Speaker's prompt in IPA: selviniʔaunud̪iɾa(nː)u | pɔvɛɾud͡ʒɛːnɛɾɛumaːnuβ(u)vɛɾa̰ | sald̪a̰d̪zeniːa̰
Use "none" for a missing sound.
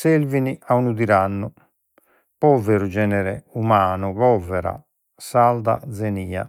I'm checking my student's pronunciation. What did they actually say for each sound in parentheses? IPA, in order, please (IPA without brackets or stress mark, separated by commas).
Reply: nː, ɔ